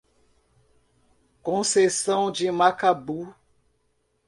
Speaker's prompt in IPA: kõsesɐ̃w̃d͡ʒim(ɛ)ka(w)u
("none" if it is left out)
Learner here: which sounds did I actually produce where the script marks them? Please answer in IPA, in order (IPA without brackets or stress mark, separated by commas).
a, b